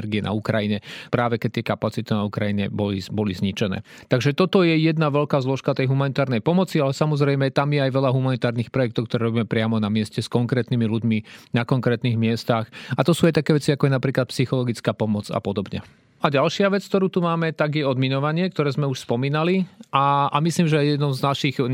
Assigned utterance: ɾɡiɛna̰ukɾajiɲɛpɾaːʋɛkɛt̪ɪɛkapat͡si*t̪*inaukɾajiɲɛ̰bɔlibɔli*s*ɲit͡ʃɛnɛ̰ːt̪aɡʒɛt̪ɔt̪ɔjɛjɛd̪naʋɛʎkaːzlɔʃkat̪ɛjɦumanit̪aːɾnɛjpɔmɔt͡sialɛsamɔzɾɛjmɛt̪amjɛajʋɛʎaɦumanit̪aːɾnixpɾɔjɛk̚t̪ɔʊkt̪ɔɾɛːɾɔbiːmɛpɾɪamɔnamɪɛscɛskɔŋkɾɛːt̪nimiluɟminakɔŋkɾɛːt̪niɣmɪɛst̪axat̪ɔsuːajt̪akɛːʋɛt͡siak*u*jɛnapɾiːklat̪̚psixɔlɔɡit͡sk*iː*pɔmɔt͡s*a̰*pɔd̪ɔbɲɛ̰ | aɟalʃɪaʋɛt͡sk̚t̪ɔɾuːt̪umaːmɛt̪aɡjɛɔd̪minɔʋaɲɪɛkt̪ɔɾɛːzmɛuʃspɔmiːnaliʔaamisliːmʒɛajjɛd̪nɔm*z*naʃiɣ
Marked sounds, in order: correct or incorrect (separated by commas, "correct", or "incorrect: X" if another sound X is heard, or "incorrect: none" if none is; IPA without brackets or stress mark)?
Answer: correct, incorrect: z, incorrect: ɔ, incorrect: aː, correct, correct